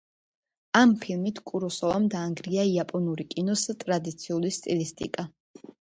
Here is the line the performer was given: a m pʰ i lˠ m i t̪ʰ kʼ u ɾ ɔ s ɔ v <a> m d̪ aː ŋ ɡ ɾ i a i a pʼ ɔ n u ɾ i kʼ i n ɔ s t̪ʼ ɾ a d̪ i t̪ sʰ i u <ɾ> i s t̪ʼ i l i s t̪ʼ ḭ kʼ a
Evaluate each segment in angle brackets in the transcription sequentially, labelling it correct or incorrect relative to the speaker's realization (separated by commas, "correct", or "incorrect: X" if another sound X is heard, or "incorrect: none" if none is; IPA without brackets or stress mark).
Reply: correct, incorrect: l